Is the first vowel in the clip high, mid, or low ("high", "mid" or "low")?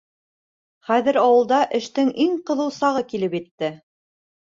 low